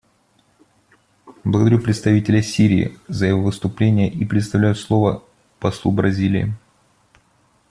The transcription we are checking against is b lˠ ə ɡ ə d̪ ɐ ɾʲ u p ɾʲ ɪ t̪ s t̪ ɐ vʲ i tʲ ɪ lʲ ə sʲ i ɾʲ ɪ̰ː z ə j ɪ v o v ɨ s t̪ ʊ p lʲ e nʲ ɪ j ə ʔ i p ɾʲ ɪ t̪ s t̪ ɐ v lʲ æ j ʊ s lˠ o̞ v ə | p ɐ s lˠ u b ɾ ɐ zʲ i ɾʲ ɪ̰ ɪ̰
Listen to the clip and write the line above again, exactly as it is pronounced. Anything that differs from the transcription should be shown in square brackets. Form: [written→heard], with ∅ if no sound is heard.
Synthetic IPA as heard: b lˠ ə ɡ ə d̪ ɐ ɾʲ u p ɾʲ ɪ t̪ s t̪ ɐ vʲ i tʲ ɪ lʲ ə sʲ i ɾʲ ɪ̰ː z ə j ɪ v o v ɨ s t̪ ʊ p lʲ e nʲ ɪ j ə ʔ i p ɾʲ ɪ t̪ s t̪ ɐ v lʲ æ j ʊ s lˠ o̞ v ə | p ɐ s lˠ u b ɾ ɐ zʲ i [ɾʲ→lʲ] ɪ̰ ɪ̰

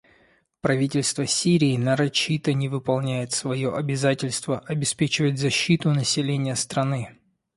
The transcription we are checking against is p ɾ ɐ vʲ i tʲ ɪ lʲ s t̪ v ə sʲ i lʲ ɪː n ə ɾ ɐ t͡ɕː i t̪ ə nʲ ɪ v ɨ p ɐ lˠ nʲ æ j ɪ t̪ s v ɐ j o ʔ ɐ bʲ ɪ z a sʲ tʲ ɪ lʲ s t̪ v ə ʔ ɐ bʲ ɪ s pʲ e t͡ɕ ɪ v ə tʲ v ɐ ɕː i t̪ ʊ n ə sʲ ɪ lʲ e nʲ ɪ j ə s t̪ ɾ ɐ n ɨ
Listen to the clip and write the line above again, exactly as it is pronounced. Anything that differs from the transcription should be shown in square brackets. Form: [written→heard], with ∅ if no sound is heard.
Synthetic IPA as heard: p ɾ ɐ vʲ i tʲ ɪ lʲ s t̪ v ə sʲ i [lʲ→ɾʲ] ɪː n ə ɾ ɐ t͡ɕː i t̪ ə nʲ ɪ v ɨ p ɐ lˠ nʲ æ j ɪ t̪ s v ɐ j o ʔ ɐ bʲ ɪ z a [sʲ→∅] tʲ ɪ lʲ s t̪ v ə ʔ ɐ bʲ ɪ s pʲ e t͡ɕ ɪ v ə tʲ [v→z] ɐ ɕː i t̪ ʊ n ə sʲ ɪ lʲ e nʲ ɪ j ə s t̪ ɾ ɐ n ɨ

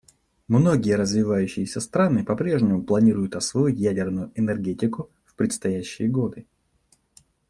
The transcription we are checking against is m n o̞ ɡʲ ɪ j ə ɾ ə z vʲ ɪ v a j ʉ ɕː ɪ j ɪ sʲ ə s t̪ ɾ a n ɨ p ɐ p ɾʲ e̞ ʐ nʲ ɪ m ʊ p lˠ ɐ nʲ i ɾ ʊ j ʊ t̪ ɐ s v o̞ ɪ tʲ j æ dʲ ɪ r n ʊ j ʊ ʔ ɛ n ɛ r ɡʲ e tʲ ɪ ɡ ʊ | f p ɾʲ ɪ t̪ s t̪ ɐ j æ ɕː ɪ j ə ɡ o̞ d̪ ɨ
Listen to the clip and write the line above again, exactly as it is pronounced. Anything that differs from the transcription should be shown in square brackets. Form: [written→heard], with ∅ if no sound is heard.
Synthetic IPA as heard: m n o̞ ɡʲ ɪ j ə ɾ ə z vʲ ɪ v a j ʉ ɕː ɪ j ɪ sʲ ə s t̪ ɾ a n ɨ p ɐ p ɾʲ e̞ ʐ nʲ ɪ m ʊ p lˠ ɐ nʲ i ɾ ʊ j ʊ t̪ ɐ s v o̞ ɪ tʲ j æ dʲ ɪ r n ʊ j ʊ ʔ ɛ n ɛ r ɡʲ e tʲ ɪ [ɡ→k] ʊ | f p ɾʲ ɪ t̪ s t̪ ɐ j æ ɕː ɪ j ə ɡ o̞ d̪ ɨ

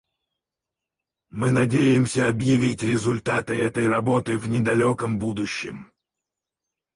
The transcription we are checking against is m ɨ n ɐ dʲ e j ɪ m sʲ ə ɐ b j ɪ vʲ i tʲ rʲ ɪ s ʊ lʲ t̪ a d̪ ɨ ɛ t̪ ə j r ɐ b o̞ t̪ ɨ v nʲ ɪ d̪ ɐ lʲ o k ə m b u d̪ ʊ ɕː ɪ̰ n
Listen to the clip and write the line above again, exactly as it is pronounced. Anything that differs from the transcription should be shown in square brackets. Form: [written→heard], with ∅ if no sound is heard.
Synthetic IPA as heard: m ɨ n ɐ dʲ e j ɪ m sʲ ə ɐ b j ɪ vʲ i tʲ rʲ ɪ [s→z] ʊ lʲ t̪ a [d̪→t̪] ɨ ɛ t̪ ə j r ɐ b o̞ t̪ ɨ v nʲ ɪ d̪ ɐ lʲ o k ə m b u d̪ ʊ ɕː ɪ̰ [n→m]

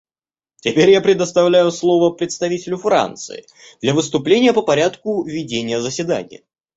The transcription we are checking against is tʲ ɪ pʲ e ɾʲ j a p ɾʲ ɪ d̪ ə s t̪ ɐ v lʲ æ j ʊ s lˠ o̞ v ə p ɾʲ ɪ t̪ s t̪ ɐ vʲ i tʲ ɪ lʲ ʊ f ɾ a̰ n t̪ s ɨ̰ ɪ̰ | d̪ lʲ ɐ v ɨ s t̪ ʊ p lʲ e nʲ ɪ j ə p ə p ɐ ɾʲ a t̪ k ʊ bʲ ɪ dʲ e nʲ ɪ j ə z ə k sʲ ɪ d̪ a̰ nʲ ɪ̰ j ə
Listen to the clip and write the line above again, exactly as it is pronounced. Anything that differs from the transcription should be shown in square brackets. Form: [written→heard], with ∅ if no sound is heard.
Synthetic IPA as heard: tʲ ɪ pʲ e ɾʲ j a p ɾʲ ɪ d̪ ə s t̪ ɐ v lʲ æ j ʊ s lˠ o̞ v ə p ɾʲ ɪ t̪ s t̪ ɐ vʲ i tʲ ɪ lʲ ʊ f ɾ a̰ n t̪ s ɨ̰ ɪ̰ | d̪ lʲ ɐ v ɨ s t̪ ʊ p lʲ e nʲ ɪ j ə p ə p ɐ ɾʲ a t̪ k ʊ [bʲ→vʲ] ɪ dʲ e nʲ ɪ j ə z ə [k→∅] sʲ ɪ d̪ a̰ nʲ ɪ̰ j ə

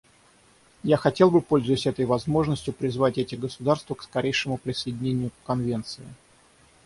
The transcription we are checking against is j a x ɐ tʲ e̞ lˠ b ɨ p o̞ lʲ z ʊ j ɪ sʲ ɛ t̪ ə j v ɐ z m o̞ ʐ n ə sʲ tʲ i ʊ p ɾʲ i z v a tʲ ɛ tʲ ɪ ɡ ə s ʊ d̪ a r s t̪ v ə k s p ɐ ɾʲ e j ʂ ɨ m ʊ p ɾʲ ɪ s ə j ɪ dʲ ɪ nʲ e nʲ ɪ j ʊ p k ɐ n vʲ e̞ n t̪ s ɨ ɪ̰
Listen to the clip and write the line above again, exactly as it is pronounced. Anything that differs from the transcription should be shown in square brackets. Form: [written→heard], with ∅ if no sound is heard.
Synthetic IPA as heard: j a x ɐ tʲ e̞ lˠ b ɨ p o̞ lʲ z ʊ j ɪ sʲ ɛ t̪ ə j v ɐ z m o̞ ʐ n ə sʲ tʲ [i→j] ʊ p ɾʲ [i→ɪ] z v a tʲ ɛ tʲ ɪ ɡ ə s ʊ d̪ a r s t̪ v ə k s [p→k] ɐ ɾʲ e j ʂ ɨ m ʊ p ɾʲ ɪ s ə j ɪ dʲ ɪ nʲ e nʲ ɪ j ʊ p k ɐ n vʲ e̞ n t̪ s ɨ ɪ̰

